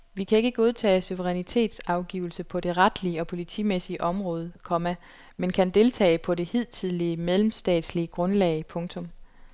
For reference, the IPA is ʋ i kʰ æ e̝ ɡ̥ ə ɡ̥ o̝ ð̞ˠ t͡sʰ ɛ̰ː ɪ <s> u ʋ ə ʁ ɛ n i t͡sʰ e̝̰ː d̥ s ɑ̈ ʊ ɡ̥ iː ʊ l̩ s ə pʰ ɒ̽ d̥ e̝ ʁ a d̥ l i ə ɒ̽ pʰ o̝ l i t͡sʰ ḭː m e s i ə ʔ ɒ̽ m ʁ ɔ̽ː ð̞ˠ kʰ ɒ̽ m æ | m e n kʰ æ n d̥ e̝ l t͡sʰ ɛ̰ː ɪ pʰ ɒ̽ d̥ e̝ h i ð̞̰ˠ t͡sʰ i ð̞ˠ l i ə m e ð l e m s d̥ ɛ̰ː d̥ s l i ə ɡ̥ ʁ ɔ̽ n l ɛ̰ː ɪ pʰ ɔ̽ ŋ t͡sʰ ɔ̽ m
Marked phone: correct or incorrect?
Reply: correct